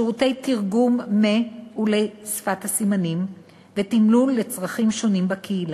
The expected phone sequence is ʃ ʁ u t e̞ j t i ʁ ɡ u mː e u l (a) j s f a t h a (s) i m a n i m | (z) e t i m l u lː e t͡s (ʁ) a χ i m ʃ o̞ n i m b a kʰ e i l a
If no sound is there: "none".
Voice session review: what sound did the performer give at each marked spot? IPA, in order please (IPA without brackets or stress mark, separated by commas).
e, s, v, ʁ